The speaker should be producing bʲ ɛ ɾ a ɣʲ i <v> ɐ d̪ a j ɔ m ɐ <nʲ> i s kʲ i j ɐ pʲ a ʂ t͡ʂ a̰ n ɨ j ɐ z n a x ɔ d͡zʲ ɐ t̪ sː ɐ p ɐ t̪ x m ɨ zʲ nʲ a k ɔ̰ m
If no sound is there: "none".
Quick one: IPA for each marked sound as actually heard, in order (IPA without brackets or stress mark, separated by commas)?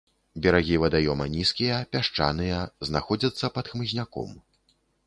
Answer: v, nʲ